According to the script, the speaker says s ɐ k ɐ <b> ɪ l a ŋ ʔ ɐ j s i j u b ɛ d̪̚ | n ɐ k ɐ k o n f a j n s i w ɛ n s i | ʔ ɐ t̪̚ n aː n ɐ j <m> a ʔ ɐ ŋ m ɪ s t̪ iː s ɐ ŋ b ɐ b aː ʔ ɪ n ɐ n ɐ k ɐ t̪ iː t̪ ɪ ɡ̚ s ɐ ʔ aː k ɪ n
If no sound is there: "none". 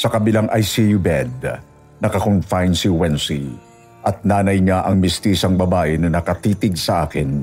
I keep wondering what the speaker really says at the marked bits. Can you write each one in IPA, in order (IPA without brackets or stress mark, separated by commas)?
b, ɲ